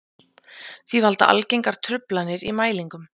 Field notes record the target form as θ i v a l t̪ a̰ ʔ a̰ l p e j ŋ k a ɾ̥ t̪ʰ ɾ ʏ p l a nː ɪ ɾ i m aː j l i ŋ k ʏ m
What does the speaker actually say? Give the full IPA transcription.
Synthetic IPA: θ i v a l t̪ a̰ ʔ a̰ l c e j ŋ k a ɾ̥ t̪ʰ ɾ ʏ p l a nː ɪ ɾ i m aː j l i ŋ k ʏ m